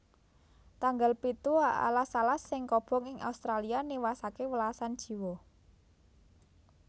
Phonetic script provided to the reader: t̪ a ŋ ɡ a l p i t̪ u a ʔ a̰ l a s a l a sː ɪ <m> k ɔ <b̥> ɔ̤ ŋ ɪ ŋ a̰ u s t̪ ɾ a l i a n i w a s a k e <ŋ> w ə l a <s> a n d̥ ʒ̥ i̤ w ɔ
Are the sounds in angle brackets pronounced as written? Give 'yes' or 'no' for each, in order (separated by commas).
no, yes, no, yes